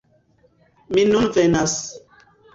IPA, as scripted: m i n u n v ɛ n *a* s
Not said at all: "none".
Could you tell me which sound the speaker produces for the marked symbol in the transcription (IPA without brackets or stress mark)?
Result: a